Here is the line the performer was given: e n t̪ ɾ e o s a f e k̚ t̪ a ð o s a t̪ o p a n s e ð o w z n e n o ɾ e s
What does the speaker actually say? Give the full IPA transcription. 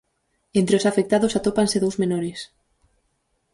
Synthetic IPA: e n t̪ ɾ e o s a f e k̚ t̪ a ð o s a t̪ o p a n s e ð o w z m e n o ɾ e s